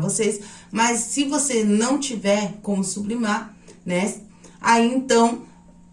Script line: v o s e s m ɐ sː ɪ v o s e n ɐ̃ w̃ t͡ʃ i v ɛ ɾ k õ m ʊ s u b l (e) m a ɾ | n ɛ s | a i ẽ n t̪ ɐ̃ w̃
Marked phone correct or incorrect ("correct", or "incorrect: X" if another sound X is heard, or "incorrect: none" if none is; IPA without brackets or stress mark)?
incorrect: i